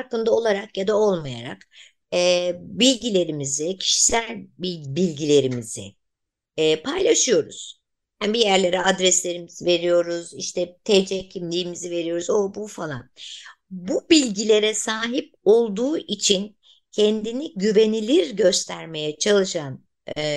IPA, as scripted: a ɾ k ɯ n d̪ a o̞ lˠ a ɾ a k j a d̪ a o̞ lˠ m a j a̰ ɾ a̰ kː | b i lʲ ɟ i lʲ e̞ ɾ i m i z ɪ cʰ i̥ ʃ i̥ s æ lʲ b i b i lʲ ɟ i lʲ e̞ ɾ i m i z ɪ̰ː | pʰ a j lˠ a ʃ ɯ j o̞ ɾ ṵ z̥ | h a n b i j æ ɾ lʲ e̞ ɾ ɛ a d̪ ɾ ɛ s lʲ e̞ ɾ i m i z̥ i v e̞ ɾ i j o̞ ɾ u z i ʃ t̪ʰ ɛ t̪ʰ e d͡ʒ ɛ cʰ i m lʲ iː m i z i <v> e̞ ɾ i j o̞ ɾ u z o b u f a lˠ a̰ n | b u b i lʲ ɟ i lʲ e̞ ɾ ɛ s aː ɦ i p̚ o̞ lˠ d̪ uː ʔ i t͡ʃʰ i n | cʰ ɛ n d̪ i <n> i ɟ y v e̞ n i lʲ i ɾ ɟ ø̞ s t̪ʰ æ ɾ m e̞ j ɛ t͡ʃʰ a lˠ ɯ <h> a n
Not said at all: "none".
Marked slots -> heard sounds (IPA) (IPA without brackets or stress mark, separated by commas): v, n, ʃ